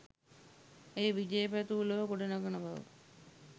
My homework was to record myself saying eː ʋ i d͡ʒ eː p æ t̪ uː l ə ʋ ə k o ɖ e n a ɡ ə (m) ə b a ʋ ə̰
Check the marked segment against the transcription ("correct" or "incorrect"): incorrect